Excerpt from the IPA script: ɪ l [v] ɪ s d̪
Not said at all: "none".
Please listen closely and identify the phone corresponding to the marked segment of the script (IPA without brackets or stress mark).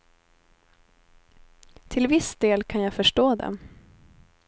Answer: v